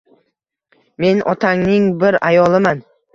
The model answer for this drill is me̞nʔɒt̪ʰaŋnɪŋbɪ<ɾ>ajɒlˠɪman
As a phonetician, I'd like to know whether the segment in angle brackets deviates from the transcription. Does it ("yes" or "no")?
no